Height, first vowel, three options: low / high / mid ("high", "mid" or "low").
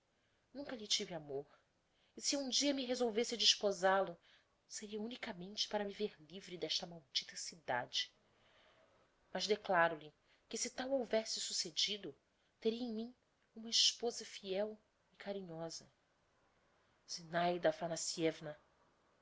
high